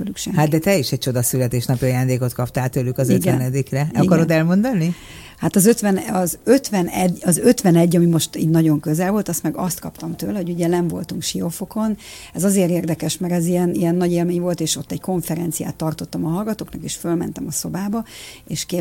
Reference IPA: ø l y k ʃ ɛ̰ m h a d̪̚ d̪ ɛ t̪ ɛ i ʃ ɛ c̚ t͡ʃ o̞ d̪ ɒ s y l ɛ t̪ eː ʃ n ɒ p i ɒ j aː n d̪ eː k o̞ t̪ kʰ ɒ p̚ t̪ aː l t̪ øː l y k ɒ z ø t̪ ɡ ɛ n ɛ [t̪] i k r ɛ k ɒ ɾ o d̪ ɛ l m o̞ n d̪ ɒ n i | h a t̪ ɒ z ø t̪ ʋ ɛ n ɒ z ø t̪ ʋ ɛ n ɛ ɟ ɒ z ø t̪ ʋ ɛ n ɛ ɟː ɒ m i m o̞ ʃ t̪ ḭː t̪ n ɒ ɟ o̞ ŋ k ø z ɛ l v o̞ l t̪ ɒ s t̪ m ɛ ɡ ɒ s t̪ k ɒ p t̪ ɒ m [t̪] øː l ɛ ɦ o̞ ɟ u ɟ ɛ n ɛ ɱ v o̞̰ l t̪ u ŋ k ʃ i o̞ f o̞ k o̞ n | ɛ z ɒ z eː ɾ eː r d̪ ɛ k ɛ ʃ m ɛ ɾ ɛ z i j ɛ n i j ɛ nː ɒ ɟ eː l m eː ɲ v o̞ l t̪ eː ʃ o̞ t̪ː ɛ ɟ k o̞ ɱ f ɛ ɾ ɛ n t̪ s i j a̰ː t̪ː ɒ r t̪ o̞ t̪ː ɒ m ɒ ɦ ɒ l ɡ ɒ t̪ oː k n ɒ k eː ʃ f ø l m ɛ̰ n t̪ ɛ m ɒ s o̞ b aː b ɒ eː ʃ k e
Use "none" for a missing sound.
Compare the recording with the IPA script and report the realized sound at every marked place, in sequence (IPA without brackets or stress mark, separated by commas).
d̪, t̪